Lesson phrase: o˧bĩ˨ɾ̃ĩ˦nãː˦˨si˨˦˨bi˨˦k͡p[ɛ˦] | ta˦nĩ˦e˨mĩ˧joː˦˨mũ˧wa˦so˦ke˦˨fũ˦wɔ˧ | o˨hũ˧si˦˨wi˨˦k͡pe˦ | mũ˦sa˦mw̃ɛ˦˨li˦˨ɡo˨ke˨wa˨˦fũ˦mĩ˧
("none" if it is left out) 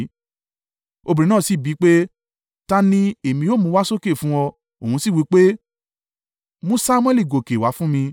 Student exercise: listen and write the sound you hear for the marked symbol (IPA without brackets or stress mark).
e˦